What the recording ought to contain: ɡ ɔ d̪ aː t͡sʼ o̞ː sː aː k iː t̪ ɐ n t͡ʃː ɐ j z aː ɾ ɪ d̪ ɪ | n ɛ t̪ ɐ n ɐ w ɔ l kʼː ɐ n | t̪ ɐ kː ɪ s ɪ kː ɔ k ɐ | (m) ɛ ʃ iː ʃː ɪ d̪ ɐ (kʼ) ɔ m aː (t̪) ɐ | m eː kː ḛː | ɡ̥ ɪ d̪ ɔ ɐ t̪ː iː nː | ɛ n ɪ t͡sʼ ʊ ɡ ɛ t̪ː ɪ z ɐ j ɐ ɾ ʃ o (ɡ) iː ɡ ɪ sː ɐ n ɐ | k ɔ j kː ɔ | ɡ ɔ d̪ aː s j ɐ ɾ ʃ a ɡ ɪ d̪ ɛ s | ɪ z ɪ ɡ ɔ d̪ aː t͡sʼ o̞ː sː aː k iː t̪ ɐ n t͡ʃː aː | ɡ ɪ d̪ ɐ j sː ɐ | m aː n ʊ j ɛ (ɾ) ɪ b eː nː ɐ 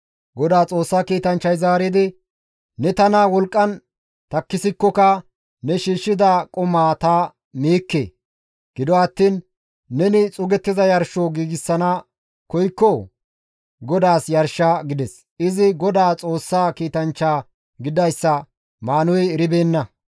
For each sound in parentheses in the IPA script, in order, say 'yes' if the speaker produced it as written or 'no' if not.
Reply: no, yes, yes, yes, yes

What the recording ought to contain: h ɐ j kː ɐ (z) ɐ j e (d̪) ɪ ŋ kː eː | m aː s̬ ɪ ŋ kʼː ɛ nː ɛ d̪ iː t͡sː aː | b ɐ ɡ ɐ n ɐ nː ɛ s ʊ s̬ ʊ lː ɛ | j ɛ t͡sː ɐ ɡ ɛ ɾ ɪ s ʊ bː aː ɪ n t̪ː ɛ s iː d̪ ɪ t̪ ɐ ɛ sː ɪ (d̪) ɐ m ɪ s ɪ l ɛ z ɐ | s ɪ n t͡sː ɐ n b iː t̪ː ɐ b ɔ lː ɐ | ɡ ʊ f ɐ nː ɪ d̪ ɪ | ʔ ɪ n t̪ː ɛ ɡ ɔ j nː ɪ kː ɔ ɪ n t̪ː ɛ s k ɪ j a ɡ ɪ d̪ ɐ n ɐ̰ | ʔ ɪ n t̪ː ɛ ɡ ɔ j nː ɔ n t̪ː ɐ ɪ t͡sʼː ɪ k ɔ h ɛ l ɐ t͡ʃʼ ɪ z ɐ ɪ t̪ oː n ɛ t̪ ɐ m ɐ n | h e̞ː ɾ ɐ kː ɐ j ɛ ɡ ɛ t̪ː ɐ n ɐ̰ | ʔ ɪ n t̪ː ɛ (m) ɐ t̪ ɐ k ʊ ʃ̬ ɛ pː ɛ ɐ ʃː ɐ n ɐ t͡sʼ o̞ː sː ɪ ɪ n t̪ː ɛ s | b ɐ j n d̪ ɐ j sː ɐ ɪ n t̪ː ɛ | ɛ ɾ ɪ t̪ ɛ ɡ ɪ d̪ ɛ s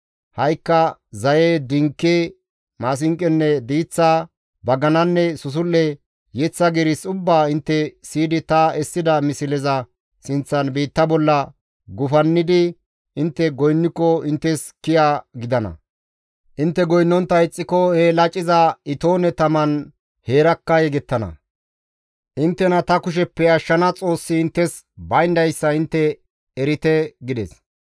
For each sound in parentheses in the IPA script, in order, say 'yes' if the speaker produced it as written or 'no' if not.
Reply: yes, yes, yes, no

